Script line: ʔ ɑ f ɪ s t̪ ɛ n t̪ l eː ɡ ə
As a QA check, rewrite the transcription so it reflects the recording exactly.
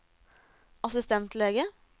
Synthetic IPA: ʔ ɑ s ɪ s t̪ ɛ n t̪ l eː ɡ ə